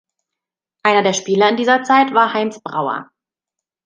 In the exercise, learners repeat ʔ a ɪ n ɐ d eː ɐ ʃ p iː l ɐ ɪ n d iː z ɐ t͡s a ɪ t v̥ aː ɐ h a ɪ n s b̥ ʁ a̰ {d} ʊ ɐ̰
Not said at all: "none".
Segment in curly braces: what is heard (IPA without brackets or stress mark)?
none